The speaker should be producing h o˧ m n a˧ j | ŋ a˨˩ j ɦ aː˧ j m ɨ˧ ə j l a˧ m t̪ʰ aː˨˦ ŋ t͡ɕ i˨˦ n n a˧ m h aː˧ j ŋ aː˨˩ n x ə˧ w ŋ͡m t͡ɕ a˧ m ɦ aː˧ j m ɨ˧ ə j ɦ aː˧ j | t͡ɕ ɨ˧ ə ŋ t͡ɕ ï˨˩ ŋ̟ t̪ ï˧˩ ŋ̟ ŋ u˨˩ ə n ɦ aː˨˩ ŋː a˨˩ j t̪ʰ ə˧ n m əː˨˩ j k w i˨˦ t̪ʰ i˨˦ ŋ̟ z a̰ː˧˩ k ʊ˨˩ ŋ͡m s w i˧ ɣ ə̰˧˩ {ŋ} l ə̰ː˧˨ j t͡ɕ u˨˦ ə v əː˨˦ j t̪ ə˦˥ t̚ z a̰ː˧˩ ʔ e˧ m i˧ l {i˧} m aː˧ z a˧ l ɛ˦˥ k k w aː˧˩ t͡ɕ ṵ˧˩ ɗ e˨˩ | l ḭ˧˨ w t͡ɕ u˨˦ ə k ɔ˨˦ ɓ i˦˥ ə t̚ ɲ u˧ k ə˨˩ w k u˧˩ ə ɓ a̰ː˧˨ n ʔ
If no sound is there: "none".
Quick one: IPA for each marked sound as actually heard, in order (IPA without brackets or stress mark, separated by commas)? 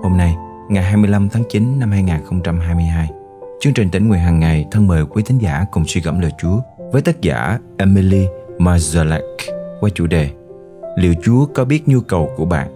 m, i˧